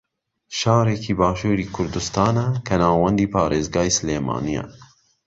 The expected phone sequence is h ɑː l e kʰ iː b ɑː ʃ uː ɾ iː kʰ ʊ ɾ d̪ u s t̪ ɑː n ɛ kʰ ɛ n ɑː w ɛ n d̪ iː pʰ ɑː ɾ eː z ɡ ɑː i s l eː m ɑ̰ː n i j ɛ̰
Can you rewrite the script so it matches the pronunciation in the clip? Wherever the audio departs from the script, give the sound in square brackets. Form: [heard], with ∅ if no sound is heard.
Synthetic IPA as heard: [ʃ] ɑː [ɾ] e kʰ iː b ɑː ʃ uː ɾ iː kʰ ʊ ɾ d̪ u s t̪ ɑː n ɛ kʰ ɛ n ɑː w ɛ n d̪ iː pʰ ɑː ɾ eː z ɡ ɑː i s l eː m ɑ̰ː n i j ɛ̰